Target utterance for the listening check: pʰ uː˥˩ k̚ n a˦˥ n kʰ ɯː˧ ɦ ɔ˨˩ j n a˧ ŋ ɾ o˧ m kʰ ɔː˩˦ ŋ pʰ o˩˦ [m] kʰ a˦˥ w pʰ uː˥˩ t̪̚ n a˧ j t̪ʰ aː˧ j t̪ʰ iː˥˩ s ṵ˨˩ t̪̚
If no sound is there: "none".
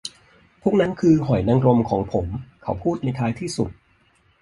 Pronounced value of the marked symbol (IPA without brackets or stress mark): m